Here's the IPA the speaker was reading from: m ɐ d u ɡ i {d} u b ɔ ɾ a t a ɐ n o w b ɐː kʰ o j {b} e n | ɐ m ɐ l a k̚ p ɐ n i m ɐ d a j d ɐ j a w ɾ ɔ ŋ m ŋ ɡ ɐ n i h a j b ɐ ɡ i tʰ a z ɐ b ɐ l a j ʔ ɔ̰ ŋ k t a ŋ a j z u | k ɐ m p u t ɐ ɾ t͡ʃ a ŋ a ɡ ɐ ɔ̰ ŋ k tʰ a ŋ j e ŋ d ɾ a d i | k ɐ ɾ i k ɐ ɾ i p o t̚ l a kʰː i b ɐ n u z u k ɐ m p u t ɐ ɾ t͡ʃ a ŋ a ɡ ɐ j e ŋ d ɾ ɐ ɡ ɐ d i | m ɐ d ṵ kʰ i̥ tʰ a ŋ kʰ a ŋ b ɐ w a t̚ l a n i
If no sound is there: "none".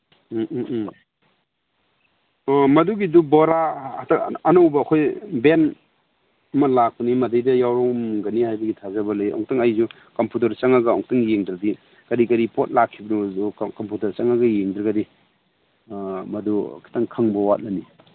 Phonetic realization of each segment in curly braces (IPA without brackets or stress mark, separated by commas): d, b